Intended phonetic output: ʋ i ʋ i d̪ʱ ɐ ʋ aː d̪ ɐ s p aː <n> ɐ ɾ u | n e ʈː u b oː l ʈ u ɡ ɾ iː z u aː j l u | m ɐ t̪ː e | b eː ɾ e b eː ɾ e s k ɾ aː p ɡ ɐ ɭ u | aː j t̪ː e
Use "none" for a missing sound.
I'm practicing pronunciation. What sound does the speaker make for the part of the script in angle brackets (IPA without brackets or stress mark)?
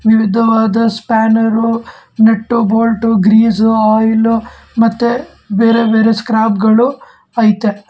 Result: n